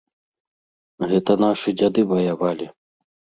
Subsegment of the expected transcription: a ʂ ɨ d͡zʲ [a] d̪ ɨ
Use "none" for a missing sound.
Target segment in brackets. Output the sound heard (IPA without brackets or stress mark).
a